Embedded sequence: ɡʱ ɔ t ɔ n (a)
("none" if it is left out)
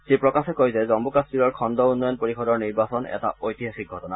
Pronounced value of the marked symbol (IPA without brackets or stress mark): a